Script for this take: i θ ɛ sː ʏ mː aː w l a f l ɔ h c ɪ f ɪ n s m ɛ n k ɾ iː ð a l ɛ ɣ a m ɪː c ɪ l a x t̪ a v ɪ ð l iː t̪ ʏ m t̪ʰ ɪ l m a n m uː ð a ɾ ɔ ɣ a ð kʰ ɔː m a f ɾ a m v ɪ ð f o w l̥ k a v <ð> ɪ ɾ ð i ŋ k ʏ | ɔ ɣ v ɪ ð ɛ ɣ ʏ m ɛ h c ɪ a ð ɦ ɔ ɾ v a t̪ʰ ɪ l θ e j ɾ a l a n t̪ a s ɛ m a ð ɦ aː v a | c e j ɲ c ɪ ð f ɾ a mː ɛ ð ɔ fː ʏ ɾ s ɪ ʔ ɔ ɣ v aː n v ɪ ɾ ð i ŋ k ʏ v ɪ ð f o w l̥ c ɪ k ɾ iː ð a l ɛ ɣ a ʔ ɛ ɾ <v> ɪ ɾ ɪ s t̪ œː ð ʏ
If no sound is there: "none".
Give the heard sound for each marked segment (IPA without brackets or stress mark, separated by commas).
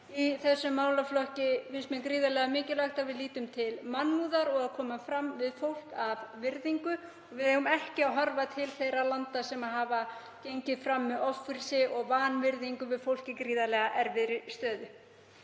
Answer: v, v